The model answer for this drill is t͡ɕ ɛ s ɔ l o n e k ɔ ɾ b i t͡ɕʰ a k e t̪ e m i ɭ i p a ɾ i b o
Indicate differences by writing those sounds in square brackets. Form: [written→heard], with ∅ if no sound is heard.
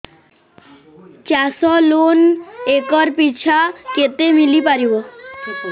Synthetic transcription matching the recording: t͡ɕ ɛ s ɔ l o n e k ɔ ɾ [b→p] i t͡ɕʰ a k e t̪ e m i [ɭ→l] i p a ɾ i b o